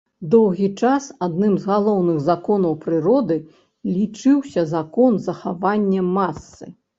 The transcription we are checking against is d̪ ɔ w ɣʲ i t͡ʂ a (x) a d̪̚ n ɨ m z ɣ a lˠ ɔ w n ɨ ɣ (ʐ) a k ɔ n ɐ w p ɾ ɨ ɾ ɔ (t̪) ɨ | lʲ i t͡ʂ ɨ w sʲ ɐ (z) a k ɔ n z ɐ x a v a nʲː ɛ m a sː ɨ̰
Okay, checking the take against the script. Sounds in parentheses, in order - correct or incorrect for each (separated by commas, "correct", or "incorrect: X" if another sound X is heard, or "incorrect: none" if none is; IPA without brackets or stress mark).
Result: incorrect: s, incorrect: z, incorrect: d̪, correct